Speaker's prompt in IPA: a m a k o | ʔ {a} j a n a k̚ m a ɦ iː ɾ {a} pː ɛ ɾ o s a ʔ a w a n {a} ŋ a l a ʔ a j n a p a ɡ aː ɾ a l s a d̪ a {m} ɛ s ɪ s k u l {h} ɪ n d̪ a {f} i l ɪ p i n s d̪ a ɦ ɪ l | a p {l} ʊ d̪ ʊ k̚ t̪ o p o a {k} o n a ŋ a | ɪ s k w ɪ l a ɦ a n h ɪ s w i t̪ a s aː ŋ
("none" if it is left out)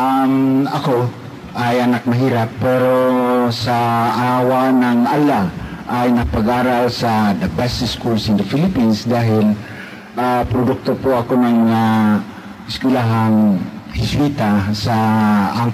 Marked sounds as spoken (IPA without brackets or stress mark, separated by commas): a, a, a, b, s, f, ɾ, k